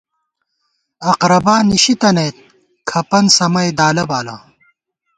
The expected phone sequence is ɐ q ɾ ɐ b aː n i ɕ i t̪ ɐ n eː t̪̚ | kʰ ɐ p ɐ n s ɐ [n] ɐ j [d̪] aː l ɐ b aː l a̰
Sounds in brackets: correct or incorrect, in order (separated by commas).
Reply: incorrect, correct